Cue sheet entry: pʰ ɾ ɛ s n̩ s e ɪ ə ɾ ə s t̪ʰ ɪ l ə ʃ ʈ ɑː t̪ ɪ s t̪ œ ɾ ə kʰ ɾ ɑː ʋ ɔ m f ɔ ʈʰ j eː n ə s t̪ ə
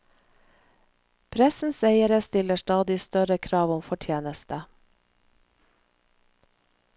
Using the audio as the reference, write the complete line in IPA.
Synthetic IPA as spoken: pʰ ɾ ɛ s n̩ s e ɪ ə ɾ ə s t̪ ɪ l ə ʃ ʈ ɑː d̪ ɪ s t̪ œ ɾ ə kʰ ɾ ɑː ʋ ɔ m f ɔ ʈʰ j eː n ə s t̪ ə

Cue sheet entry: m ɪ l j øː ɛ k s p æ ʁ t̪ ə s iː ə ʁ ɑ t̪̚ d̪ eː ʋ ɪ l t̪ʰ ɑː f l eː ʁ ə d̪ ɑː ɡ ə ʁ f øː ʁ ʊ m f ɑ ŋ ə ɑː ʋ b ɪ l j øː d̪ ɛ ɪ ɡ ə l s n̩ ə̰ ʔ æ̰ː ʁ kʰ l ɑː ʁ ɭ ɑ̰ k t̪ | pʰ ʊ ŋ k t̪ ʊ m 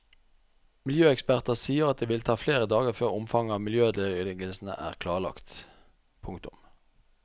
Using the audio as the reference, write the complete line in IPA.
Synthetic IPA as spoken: m ɪ l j øː ɛ k s p æ ʁ t̪ ə s iː ə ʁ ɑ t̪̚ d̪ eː ʋ ɪ l t̪ʰ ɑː f l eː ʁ ə d̪ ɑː ɡ ə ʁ f øː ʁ ʊ m f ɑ ŋ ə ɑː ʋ m ɪ l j øː d̪ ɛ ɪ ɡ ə l s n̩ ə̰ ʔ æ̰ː ʁ kʰ l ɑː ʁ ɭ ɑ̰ k t̪ | pʰ ʊ ŋ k t̪ ʊ m

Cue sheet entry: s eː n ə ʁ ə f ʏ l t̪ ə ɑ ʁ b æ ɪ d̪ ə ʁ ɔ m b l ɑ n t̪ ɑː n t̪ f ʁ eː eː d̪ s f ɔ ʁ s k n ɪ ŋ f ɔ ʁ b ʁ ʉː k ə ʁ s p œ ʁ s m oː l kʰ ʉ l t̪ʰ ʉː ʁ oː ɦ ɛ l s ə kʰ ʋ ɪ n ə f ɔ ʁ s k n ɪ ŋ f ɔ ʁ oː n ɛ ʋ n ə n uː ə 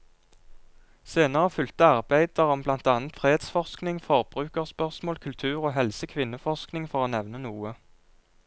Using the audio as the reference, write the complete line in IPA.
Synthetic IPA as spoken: s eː n ə ʁ ə f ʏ l t̪ ə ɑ ʁ b æ ɪ d̪ ə ʁ ɔ m b l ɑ n t̪ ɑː n t̪ f ʁ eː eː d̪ s f ɔ ʁ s k n ɪ ŋ f ɔ ʁ b ʁ ʉː k ə ʁ s p œ ʁ s m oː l kʰ ʉ l t̪ʰ ʉː ʁ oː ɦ ɛ l s ə kʰ ʋ ɪ n ə f ɔ ʁ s k n ɪ ŋ f ɔ ʁ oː n ɛ ʋ n ə n uː ə

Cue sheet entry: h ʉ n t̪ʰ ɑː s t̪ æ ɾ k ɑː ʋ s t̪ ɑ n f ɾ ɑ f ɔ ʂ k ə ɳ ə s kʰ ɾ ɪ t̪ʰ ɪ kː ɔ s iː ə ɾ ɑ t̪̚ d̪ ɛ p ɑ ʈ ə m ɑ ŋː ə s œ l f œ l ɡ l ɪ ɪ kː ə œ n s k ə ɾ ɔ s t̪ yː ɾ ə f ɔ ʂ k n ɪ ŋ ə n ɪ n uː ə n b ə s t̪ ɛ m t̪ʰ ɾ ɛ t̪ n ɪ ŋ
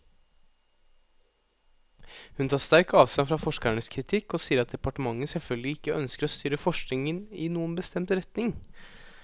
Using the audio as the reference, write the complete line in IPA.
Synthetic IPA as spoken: h ʉ n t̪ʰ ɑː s t̪ æ ɾ k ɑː ʋ s t̪ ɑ n f ɾ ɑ f ɔ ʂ k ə ɳ ə s kʰ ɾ ɪ t̪ʰ ɪ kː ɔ s iː ə ɾ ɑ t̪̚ d̪ ɛ p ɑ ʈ ə m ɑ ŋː ə s ɛ l f œ l ɡ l ɪ ɪ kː ə œ n s k ə ɾ ɔ s t̪ yː ɾ ə f ɔ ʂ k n ɪ ŋ ə n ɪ n uː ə n b ə s t̪ ɛ m t̪ ɾ ɛ t̪ n ɪ ŋ

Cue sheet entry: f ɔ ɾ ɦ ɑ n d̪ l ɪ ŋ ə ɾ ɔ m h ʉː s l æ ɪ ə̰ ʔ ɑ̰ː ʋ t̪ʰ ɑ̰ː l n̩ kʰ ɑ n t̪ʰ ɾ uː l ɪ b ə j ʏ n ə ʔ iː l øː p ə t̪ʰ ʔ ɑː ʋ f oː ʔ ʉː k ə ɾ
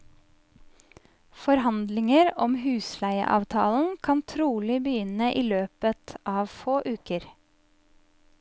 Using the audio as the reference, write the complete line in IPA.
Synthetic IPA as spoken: f ɔ ɾ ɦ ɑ n d̪ l ɪ ŋ ə ɾ ɔ m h ʉː s l æ ɪ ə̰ ʔ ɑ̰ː ʋ t̪ʰ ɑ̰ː l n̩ kʰ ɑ n t̪ʰ ɾ uː l ɪ b ə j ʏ n ə ʔ iː l øː p ə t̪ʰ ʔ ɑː ʋ f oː ʔ ʉː k ə ɾ

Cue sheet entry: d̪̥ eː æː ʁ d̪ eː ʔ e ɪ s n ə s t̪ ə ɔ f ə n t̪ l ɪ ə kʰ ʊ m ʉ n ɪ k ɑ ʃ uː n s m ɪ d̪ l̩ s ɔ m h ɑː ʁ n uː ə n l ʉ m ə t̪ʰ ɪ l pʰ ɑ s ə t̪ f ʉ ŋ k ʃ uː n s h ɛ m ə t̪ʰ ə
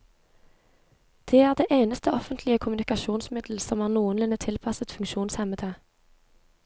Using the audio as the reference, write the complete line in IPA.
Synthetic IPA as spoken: d̪̥ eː æː ʁ d̪ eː ʔ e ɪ n ə s t̪ ə ɔ f ə n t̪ l ɪ ə kʰ ʊ m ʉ n ɪ k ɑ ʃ uː n s m ɪ d̪ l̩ s ɔ m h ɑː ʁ n uː ə n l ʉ n ə t̪ʰ ɪ l pʰ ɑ s ə t̪ f ʉ ŋ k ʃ uː n s h ɛ m ə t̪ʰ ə

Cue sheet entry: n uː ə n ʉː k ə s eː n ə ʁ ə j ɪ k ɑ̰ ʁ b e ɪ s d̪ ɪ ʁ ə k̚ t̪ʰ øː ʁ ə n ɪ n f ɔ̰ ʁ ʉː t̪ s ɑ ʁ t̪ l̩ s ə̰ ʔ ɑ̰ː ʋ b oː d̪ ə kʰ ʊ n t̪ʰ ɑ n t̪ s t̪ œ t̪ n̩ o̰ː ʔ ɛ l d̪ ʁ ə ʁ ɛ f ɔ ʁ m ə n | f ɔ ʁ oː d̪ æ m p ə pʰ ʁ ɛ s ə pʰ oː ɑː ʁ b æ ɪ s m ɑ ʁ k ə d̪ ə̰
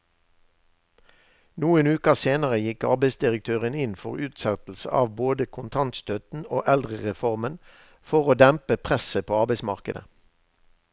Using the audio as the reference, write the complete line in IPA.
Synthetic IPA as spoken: n uː ə n ʉː k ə s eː n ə ʁ ə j ɪ k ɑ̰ ʁ b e ɪ s d̪ ɪ ʁ ə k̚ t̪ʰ øː ʁ ə n ɪ n f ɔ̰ ʁ ʉː t̪ s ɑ t̪ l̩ s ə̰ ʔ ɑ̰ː ʋ b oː d̪ ə kʰ ʊ n t̪ʰ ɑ n t̪ s t̪ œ t̪ n̩ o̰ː ʔ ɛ l d̪ ʁ ə ʁ ɛ f ɔ ʁ m ə n | f ɔ ʁ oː d̪ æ m p ə pʰ ʁ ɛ s ə pʰ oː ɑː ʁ b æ ɪ s m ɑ ʁ k ə d̪ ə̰

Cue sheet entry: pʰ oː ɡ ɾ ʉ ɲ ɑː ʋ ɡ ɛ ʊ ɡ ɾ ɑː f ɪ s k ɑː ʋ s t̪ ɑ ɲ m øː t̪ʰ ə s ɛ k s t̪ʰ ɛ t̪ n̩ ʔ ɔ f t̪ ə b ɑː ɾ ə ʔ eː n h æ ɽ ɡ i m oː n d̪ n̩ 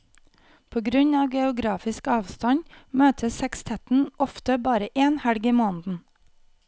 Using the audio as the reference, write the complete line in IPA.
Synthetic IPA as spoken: pʰ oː ɡ ɾ ʉ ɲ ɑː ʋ ɡ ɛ ʊ ɡ ɾ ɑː f ɪ s k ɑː ʋ s t̪ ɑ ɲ m øː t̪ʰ ə s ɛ k s t̪ʰ ɛ t̪ n̩ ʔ ɔ f t̪ ə b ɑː ɾ ə ʔ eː n h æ ɽ ɡ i m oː n d̪ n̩

